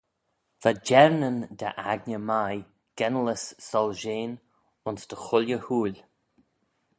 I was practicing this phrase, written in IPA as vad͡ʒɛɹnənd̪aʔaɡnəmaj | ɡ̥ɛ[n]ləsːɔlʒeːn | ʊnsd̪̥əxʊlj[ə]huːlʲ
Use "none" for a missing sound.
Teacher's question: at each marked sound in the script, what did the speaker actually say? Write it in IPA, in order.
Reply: n, ə

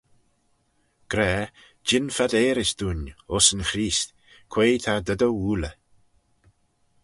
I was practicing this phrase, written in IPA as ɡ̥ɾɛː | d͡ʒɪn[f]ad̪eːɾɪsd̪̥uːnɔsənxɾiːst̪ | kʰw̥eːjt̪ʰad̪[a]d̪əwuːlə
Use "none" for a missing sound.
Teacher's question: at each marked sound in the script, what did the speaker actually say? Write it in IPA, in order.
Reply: f, ə

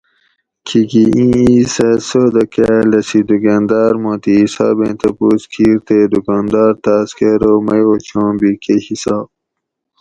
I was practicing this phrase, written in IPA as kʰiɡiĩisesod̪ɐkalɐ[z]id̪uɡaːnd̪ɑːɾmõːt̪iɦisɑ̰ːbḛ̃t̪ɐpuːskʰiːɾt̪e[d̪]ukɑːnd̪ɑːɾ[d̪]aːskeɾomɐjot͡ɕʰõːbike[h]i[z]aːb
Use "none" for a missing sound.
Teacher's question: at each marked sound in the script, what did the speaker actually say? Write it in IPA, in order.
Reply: s, d̪, t̪, h, s

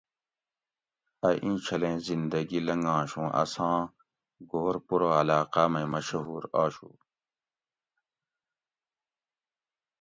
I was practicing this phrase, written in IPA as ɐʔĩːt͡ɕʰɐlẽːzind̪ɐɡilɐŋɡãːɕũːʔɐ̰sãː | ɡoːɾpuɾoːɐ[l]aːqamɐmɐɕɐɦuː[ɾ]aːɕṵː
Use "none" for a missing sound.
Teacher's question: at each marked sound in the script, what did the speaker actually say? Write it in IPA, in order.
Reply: l, ɾ

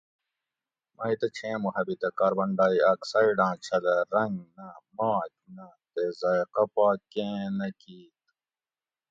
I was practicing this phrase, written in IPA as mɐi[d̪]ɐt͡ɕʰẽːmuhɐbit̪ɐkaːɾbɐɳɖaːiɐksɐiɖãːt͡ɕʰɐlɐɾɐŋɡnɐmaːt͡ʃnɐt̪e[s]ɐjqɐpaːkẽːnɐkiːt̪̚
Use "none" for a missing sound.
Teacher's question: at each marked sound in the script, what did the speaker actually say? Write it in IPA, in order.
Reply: t̪, z

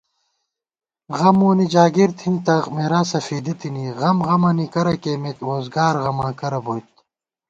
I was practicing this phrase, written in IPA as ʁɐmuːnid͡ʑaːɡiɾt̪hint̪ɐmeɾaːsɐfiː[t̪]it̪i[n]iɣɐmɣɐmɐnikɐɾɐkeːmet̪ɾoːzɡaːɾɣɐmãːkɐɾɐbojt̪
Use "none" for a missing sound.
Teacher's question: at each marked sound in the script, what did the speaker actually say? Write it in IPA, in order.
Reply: d̪, n

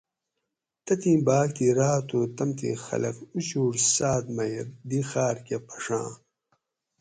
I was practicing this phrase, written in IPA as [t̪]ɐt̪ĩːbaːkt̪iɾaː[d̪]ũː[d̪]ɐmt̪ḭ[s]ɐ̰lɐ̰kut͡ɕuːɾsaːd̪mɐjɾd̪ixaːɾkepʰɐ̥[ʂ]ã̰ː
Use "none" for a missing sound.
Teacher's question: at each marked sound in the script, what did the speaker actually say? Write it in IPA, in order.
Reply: t̪, t̪, t̪, x, ʂ

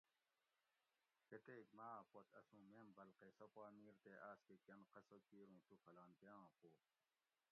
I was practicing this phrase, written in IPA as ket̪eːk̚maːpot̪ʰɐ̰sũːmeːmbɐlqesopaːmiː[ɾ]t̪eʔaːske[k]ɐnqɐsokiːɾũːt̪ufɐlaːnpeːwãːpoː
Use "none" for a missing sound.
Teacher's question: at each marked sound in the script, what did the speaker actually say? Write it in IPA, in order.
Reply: ɾ, k

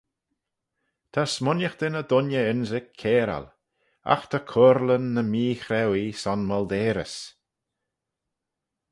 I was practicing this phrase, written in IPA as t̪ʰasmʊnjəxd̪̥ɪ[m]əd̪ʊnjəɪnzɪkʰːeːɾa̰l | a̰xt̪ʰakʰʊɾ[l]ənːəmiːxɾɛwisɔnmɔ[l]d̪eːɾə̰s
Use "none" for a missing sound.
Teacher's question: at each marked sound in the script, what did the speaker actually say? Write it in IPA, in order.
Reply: n, l, l

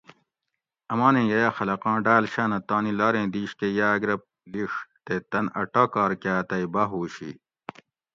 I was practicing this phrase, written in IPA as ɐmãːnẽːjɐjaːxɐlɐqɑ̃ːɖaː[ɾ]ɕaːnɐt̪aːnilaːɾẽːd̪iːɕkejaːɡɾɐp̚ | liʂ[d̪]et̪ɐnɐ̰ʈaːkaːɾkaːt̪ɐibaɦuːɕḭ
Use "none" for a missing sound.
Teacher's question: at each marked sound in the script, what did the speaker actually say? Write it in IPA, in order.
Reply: l, t̪

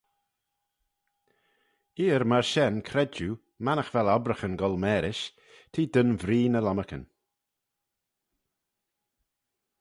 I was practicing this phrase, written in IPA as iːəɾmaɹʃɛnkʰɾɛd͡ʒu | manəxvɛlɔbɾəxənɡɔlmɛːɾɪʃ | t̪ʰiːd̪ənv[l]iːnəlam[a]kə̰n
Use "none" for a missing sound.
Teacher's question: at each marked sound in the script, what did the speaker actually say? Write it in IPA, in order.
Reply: ɾ, ə

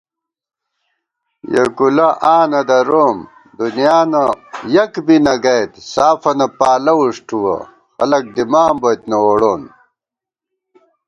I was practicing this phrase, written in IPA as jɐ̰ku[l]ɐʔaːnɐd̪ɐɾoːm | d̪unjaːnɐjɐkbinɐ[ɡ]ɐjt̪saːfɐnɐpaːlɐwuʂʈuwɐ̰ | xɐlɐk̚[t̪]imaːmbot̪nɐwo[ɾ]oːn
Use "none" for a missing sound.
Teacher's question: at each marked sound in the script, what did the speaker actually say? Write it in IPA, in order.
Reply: l, ɡ, d̪, ɽ

